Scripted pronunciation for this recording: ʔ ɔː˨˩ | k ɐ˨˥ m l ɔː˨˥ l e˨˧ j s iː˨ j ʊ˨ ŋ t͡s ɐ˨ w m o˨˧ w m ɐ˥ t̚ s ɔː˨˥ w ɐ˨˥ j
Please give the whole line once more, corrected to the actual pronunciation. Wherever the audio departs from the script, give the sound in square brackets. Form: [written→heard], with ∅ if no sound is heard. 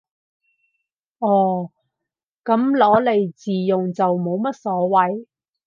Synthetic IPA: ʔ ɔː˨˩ | k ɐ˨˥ m l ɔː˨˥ l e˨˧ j [s→t͡s] iː˨ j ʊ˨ ŋ t͡s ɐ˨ w m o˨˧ w m ɐ˥ t̚ s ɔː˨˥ w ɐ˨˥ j

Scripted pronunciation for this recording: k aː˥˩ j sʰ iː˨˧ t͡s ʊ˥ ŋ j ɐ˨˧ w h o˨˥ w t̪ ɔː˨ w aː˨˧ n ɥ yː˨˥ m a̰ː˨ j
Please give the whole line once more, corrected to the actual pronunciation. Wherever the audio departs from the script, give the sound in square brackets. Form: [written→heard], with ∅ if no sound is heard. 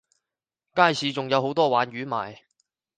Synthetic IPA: k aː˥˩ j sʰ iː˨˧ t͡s [ʊ˥→ʊ˨] ŋ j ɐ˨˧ w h o˨˥ w t̪ [ɔː˨→ɔː˥] w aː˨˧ n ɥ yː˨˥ m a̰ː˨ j

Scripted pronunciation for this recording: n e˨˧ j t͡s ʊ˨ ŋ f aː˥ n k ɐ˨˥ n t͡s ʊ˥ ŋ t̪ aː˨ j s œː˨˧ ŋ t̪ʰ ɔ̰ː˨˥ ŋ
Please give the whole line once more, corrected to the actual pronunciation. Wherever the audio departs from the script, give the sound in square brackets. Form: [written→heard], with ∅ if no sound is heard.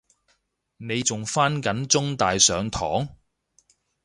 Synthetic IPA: n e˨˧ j t͡s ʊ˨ ŋ f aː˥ n k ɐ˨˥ n t͡s ʊ˥ ŋ t̪ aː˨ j s œː˨˧ ŋ t̪ʰ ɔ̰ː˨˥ ŋ

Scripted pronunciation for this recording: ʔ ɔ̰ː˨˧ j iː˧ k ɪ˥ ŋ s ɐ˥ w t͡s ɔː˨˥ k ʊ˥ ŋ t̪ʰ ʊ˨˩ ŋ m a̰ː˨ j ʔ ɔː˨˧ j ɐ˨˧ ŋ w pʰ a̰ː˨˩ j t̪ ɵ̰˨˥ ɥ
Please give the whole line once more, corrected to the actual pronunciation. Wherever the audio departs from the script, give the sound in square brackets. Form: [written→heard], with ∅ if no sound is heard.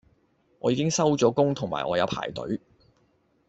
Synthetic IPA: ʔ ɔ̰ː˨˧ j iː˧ k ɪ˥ ŋ s ɐ˥ w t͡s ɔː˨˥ k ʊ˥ ŋ t̪ʰ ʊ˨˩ ŋ m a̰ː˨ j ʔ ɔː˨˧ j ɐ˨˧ [ŋ→∅] w pʰ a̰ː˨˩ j t̪ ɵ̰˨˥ ɥ

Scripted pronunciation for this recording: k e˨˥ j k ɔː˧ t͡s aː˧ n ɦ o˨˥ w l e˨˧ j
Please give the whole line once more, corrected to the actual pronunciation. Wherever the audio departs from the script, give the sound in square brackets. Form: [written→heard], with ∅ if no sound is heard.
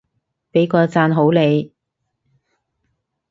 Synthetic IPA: [k→p] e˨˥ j k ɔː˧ t͡s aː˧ n ɦ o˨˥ w l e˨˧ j

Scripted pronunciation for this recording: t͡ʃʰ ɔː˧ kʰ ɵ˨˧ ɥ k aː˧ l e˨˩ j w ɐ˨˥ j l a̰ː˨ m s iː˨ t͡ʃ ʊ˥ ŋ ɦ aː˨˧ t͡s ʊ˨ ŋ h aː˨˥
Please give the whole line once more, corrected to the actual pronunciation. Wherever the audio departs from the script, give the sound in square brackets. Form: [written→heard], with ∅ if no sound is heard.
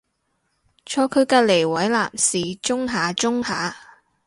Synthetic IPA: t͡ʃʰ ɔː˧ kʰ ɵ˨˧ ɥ k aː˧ l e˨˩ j w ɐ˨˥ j l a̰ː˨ m s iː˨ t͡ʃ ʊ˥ ŋ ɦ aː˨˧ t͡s [ʊ˨→ʊ˥] ŋ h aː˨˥

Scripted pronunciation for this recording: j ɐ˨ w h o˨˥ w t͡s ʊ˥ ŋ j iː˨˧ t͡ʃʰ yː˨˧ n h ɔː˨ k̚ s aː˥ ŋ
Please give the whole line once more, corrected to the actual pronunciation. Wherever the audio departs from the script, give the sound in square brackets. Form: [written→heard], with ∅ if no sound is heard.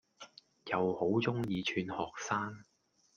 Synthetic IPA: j ɐ˨ w h o˨˥ w t͡s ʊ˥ ŋ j iː˨˧ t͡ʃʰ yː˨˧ n h ɔː˨ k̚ s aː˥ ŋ

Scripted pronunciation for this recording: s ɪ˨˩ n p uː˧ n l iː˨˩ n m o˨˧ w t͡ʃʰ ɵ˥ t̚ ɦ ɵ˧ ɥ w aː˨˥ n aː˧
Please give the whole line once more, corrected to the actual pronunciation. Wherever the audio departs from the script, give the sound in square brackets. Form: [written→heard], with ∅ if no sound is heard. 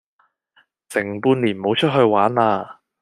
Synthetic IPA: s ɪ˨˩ [n→ŋ] p uː˧ n l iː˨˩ n m o˨˧ w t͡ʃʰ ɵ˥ t̚ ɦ ɵ˧ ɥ w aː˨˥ n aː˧

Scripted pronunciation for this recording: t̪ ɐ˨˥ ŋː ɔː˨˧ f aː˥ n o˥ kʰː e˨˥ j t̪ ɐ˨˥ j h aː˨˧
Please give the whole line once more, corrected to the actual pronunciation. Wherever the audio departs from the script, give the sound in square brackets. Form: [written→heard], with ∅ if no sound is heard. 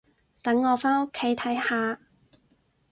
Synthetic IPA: t̪ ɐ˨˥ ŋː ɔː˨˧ f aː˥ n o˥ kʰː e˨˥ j [t̪→t̪ʰ] ɐ˨˥ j h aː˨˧

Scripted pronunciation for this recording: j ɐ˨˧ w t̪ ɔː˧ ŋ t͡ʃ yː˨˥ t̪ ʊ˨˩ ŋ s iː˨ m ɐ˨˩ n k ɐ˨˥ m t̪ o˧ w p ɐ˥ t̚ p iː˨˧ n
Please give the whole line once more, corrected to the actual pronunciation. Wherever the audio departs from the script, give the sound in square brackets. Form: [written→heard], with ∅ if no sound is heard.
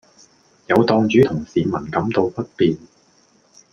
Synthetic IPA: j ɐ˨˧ w t̪ ɔː˧ ŋ t͡ʃ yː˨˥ [t̪→t̪ʰ] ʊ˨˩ ŋ s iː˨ m ɐ˨˩ n k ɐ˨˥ m t̪ o˧ w p ɐ˥ t̚ p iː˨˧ n

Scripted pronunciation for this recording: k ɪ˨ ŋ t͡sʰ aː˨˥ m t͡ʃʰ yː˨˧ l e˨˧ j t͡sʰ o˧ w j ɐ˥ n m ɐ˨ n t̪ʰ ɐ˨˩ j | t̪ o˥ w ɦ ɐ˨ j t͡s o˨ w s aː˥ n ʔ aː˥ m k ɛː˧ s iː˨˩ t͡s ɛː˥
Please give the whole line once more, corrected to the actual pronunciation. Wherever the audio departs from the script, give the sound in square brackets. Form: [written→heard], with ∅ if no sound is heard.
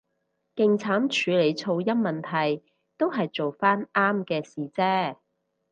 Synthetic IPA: k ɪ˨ ŋ t͡sʰ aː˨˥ m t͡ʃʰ yː˨˧ l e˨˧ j t͡sʰ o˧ w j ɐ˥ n m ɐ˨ n t̪ʰ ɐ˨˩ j | t̪ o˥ w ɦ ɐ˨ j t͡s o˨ w [s→f] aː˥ n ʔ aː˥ m k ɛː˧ s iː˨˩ t͡s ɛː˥

